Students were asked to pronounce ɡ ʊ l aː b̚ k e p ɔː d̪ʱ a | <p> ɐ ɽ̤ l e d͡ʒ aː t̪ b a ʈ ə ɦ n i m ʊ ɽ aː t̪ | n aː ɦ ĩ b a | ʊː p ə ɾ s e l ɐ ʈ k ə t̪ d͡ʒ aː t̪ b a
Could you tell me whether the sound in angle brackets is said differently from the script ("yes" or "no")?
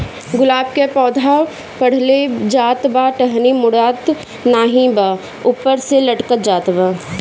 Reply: no